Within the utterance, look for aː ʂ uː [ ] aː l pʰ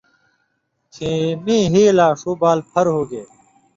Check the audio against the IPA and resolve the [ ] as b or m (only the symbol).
b